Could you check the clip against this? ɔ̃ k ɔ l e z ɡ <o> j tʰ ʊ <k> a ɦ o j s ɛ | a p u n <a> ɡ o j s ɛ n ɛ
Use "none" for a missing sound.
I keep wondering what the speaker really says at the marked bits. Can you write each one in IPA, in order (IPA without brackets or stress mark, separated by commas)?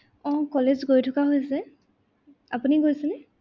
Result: o, k, i